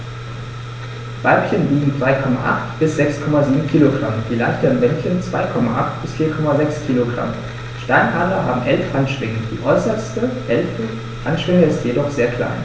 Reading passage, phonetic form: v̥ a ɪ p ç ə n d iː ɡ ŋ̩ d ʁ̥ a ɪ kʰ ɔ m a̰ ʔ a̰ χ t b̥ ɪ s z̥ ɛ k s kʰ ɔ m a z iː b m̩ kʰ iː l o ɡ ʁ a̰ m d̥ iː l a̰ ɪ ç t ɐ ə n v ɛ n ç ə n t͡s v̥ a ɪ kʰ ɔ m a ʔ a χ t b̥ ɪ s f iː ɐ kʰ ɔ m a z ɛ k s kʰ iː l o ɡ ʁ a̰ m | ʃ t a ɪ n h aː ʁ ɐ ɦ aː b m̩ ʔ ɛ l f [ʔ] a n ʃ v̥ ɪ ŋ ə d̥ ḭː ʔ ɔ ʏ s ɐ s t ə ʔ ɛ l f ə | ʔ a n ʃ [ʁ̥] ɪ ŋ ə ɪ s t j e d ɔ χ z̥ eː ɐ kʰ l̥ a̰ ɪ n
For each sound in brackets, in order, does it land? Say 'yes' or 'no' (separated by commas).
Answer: yes, no